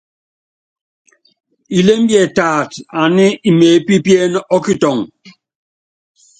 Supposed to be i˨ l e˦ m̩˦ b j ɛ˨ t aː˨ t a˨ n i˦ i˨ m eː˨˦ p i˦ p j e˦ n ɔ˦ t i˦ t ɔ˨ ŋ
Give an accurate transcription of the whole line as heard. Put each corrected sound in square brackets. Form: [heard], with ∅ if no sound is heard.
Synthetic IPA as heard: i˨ l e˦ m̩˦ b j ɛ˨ t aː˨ t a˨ n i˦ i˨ m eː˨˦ p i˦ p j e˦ n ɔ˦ [k] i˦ t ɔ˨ ŋ

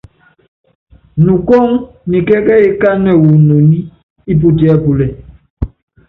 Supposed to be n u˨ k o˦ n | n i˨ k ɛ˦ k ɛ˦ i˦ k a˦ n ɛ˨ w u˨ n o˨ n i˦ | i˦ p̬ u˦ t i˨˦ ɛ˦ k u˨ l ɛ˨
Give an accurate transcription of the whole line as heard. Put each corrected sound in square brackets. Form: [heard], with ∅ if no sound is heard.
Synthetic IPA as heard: n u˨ k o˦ [ŋ] | n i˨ k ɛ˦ k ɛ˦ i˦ k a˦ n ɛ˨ w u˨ n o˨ n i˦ | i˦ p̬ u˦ t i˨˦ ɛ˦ [p] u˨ l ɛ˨

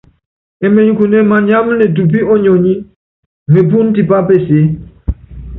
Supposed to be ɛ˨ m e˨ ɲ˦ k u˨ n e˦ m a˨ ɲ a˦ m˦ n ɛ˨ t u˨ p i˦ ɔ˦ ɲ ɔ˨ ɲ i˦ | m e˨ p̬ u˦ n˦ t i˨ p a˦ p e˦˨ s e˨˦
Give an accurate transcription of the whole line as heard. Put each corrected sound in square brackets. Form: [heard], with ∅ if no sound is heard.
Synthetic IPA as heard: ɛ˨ m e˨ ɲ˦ k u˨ n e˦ m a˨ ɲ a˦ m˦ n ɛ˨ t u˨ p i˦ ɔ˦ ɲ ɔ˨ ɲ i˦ | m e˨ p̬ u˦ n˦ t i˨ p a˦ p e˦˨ s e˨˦

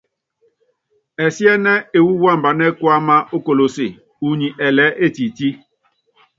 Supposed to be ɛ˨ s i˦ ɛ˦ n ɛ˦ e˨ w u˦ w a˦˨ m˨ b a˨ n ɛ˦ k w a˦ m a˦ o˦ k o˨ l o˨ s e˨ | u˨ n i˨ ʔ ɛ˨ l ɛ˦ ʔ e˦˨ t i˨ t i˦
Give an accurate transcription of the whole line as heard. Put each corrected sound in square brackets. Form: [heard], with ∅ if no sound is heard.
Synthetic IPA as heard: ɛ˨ s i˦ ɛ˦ n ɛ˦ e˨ w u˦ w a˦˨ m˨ b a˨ n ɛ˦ k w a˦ m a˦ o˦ k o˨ l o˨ s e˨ | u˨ [ɲ] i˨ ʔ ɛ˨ l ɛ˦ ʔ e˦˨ t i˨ t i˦

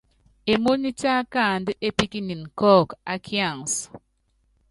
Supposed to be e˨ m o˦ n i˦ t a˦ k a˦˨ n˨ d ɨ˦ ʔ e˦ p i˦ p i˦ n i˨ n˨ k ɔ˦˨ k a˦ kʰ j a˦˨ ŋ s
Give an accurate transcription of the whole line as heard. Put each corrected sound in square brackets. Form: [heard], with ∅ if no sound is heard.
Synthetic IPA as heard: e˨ m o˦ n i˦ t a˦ k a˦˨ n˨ d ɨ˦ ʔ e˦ p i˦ [k] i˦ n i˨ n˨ k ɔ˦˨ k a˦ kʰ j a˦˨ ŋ s

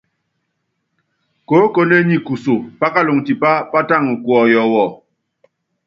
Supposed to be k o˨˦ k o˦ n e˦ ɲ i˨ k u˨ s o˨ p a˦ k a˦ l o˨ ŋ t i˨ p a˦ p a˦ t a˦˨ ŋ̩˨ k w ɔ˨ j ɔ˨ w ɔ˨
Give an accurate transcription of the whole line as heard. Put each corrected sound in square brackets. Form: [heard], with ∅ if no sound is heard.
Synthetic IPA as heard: k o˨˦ k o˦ n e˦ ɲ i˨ k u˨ s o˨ p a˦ k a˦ l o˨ ŋ t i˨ p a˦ p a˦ t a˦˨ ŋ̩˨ k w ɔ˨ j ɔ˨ w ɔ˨

